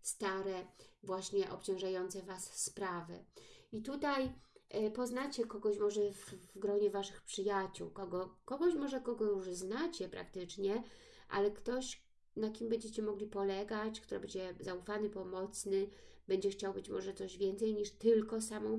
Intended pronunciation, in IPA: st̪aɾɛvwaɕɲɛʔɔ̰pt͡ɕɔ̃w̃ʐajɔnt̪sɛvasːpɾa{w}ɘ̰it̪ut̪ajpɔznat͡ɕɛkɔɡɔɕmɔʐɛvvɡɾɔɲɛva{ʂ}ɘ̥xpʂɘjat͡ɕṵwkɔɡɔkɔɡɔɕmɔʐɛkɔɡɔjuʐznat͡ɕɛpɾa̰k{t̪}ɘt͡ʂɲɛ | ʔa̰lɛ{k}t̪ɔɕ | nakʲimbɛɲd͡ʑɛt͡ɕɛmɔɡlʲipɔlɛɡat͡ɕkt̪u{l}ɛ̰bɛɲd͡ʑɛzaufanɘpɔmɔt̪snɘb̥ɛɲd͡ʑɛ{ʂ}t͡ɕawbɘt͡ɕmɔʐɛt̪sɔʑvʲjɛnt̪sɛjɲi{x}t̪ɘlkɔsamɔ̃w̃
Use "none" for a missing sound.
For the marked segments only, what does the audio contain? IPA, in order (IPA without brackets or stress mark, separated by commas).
v, ʂ, t̪, k, ɾ, x, ʂ